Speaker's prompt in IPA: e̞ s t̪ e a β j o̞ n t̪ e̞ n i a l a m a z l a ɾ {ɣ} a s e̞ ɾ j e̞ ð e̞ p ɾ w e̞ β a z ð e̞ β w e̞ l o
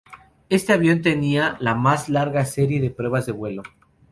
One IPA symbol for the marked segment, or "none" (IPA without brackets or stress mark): ɣ